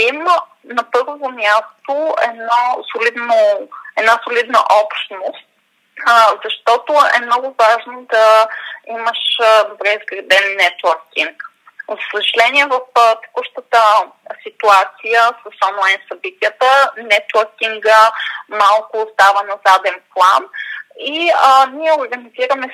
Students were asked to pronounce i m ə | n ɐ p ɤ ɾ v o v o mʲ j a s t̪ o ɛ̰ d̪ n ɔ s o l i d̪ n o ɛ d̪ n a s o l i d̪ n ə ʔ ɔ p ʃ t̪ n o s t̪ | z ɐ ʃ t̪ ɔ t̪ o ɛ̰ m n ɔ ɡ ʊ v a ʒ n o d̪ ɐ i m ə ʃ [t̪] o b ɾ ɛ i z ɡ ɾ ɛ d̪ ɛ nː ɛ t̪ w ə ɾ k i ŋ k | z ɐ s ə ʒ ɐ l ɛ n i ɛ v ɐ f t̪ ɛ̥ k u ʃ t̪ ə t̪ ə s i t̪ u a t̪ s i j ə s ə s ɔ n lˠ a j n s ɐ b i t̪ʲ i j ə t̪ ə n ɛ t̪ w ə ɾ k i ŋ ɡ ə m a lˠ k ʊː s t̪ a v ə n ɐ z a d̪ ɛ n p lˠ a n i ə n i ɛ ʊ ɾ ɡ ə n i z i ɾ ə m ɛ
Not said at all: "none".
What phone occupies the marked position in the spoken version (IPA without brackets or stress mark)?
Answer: d̪